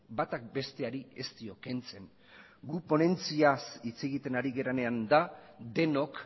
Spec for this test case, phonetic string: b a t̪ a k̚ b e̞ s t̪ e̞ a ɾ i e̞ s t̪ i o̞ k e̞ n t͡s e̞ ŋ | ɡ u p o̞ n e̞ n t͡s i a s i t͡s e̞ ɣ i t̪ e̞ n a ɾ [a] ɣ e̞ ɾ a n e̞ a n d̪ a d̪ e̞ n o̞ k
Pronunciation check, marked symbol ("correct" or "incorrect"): incorrect